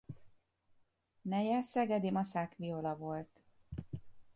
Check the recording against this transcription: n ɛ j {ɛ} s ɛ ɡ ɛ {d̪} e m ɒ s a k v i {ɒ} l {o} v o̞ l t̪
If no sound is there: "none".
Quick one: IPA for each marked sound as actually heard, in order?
ɛ, d̪, o, ɒ

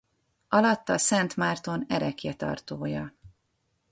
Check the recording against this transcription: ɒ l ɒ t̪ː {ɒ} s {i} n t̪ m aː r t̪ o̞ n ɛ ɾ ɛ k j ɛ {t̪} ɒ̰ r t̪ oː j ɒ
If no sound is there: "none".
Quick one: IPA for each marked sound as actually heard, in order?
ɒ, ɛ, t̪

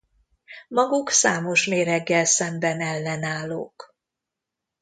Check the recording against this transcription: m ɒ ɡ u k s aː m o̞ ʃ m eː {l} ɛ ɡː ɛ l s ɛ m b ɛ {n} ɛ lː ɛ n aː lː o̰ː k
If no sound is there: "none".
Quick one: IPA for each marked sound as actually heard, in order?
ɾ, n

